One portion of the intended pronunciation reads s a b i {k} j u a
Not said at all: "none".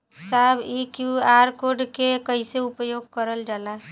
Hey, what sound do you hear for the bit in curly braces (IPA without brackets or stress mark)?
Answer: k